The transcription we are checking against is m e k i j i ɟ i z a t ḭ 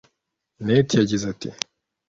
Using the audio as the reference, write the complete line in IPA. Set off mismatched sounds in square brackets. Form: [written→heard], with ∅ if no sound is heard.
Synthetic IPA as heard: [m→n] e [k→t] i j [i→a] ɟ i z a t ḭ